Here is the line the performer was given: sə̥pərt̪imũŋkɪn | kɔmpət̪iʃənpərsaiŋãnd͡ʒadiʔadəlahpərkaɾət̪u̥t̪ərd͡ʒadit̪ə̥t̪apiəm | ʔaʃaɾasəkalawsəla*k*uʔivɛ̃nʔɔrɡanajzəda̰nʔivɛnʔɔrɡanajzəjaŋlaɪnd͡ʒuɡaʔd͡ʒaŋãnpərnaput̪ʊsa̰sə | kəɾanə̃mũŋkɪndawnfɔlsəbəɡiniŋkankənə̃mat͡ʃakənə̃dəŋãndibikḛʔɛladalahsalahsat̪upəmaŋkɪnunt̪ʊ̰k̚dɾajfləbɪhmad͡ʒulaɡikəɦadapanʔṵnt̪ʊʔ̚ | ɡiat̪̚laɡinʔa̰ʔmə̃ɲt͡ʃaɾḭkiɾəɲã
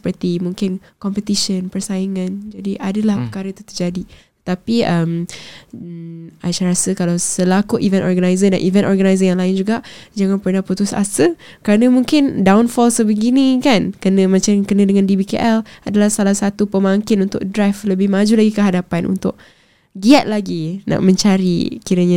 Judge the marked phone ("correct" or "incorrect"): correct